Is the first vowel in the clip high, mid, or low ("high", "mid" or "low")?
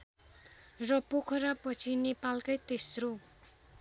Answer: mid